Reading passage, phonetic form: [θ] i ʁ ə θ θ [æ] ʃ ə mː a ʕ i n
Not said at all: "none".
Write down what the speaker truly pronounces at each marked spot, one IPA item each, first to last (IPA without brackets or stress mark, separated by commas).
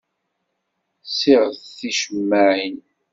s, i